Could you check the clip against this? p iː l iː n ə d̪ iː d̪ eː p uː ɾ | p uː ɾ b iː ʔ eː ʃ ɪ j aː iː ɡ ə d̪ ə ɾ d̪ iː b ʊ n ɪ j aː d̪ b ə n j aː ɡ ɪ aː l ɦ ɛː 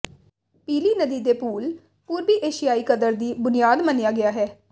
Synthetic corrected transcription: p iː l iː n ə d̪ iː d̪ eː p uː l | p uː ɾ b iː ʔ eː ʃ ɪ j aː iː k ə d̪ ə ɾ d̪ iː b ʊ n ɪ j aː d̪ m ə n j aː ɡ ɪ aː ɦ ɛː

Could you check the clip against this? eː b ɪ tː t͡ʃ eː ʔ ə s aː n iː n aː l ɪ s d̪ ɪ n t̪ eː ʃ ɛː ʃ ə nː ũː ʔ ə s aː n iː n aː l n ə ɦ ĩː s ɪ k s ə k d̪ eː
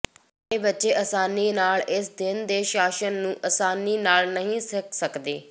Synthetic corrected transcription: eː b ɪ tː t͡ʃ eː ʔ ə s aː n iː n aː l ɪ s d̪ ɪ n d̪ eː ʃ aː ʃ ə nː ũː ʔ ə s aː n iː n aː l n ə ɦ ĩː s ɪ k s ə k d̪ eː

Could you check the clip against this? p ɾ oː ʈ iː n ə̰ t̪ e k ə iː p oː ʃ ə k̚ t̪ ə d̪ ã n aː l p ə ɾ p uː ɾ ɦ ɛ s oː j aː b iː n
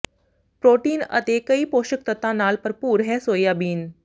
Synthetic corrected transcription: p ɾ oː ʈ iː n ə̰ t̪ e k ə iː p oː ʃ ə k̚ t̪ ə t̪ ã n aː l p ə ɾ p uː ɾ ɦ ɛ s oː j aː b iː n

